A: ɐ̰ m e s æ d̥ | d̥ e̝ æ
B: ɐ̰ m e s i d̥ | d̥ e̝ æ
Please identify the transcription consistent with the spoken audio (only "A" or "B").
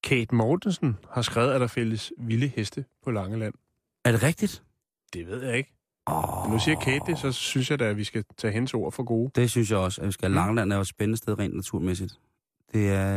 B